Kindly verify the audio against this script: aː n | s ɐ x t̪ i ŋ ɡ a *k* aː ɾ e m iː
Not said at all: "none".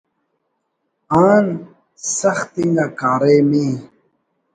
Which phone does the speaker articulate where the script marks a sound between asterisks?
k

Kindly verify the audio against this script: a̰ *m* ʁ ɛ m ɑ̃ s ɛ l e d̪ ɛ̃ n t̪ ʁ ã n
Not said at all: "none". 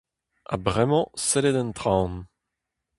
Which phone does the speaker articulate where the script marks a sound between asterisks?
b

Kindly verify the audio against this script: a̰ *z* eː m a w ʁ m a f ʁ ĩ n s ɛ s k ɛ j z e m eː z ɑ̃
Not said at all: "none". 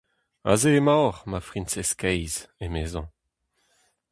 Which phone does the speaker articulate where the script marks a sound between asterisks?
z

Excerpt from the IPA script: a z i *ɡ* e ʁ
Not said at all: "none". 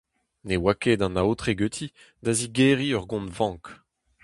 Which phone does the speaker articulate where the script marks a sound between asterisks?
ɡ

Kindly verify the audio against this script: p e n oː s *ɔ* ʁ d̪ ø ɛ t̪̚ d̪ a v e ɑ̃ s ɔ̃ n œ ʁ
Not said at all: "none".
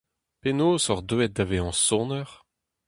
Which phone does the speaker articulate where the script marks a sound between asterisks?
ɔ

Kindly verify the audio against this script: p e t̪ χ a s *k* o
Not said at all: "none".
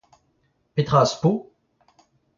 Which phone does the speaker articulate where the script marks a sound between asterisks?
p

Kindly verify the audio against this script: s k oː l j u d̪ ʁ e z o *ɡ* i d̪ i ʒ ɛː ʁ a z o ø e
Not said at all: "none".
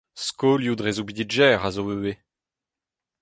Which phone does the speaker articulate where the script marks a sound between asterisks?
b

